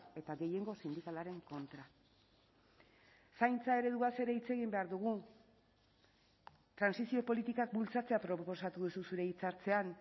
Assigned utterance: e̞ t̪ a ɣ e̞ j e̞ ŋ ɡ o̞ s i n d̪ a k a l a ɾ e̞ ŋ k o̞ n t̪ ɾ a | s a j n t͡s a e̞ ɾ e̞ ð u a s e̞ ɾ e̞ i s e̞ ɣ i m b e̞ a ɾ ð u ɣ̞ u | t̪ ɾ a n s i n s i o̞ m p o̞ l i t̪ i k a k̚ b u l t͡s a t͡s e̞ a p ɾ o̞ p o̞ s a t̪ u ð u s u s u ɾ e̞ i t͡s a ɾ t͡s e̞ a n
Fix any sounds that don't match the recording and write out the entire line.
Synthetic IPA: e̞ t̪ a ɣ e̞ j e̞ ŋ ɡ o̞ s i n d̪ i k a l a ɾ e̞ ŋ k o̞ n t̪ ɾ a | s a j n t͡s a e̞ ɾ e̞ ð u a s e̞ ɾ e̞ i t͡s e̞ ɣ i m b e̞ a ɾ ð u ɣ̞ u | t̪ ɾ a n s i s i o̞ p o̞ l i t̪ i k a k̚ b u l t͡s a t͡s e̞ a p ɾ o̞ p o̞ s a t̪ u ð u s u s u ɾ e̞ i t͡s a ɾ t͡s e̞ a n

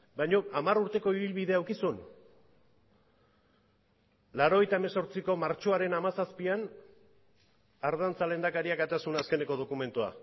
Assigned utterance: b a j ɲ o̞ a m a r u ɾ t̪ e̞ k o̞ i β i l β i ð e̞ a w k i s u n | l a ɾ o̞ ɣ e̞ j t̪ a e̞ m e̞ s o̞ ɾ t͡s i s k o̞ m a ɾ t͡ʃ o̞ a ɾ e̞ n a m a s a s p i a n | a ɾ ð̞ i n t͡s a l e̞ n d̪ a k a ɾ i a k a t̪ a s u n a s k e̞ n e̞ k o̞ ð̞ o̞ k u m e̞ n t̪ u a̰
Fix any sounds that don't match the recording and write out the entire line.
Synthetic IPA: b a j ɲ o̞ a m a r u ɾ t̪ e̞ k o̞ i β i l β i ð e̞ a w k i s u n | l a ɾ o̞ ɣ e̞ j t̪ a e̞ m e̞ s o̞ ɾ t͡s i k o̞ m a ɾ t͡ʃ o̞ a ɾ e̞ n a m a s a s p i a n | a ɾ ð̞ a n t͡s a l e̞ n d̪ a k a ɾ i a k a t̪ a s u n a s k e̞ n e̞ k o̞ ð̞ o̞ k u m e̞ n t̪ u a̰

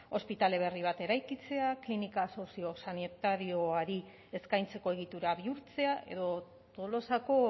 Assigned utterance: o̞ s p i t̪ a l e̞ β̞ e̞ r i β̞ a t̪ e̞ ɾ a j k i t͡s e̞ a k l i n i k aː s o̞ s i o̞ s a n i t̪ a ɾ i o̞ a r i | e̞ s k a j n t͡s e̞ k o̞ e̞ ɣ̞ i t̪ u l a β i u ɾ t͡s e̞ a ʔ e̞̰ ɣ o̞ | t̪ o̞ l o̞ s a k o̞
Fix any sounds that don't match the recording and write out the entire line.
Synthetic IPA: o̞ s p i t̪ a l e̞ β̞ e̞ r i β̞ a t̪ e̞ ɾ a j k i t͡s e̞ a k l i n i k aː s o̞ s i o̞ s a n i t̪ a ɾ i o̞ a ɾ i | e̞ s k a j n t͡s e̞ k o̞ e̞ ɣ̞ i t̪ u ɾ a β i u ɾ t͡s e̞ a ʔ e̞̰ ð o̞ | t̪ o̞ l o̞ s a k o̞

